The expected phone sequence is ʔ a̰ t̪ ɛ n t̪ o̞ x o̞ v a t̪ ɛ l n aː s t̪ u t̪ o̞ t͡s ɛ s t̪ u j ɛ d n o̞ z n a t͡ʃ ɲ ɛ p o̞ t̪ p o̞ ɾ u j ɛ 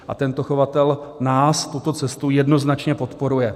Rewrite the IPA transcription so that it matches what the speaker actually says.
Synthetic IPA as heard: ʔ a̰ t̪ ɛ n t̪ o̞ x o̞ v a t̪ ɛ l n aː s t̪ u t̪ o̞ t͡s ɛ s t̪ u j ɛ d n o̞ z n a t͡ʃ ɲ ɛ p o̞ t̪ p o̞ ɾ u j ɛ